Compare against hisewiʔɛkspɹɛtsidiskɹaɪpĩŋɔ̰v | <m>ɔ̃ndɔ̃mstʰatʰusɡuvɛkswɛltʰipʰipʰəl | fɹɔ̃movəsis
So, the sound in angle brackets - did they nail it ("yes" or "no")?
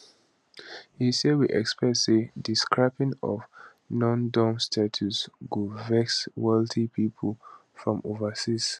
no